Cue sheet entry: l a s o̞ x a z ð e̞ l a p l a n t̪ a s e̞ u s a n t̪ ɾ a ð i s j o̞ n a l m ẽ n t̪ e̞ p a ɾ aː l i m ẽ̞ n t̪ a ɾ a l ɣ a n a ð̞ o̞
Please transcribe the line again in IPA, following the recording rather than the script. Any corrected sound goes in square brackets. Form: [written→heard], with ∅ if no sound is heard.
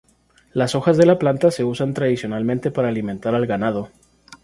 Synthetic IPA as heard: l a s o̞ x a z ð e̞ l a p l a n t̪ a s e̞ u s a n t̪ ɾ a ð i s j o̞ n a l m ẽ n t̪ e̞ p a ɾ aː l i m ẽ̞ n t̪ a ɾ a l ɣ a n a ð̞ o̞